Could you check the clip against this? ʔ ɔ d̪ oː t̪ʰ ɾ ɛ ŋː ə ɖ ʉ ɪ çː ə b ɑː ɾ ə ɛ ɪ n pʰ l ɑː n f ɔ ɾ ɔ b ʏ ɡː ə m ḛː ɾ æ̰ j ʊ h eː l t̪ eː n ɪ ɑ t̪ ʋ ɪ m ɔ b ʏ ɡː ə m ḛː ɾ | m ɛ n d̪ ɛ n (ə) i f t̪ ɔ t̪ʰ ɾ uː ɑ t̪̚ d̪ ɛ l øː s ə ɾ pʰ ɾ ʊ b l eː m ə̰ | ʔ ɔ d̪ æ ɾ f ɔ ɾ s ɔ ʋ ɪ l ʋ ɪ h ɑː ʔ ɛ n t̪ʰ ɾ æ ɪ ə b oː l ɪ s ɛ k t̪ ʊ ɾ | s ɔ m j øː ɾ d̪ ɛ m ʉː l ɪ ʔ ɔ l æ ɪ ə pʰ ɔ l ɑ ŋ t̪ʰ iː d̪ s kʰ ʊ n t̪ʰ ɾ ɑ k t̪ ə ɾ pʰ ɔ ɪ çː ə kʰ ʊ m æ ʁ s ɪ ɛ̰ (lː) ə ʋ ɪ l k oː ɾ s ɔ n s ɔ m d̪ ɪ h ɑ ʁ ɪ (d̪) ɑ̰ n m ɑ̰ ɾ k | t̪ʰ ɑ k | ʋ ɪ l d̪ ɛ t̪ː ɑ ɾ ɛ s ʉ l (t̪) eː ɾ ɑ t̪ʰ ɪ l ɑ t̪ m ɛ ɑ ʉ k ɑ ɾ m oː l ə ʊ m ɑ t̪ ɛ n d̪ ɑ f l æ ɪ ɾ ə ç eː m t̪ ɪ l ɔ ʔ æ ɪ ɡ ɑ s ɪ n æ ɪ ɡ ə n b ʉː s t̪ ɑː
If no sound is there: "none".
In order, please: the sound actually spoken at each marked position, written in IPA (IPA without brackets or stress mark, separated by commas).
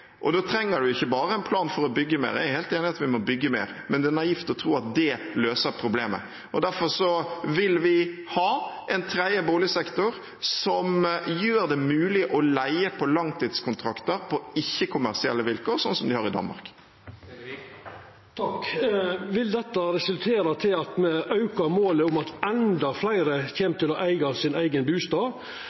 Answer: ɑ, lː, d̪, t̪ʰ